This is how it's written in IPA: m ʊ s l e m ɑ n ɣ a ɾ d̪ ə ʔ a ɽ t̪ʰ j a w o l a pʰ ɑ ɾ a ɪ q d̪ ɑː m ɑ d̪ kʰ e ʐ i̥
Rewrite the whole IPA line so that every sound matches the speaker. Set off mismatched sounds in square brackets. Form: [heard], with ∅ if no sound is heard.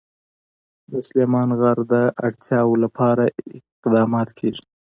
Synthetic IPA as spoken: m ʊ s l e m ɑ n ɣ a ɾ d̪ ə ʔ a ɽ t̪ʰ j [ɑ] w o l a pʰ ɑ ɾ a ɪ q d̪ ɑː m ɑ [t̪] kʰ e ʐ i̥